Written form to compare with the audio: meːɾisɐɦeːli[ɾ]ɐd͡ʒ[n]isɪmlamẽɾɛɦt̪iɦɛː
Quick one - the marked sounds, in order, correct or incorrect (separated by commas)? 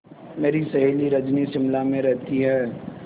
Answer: correct, correct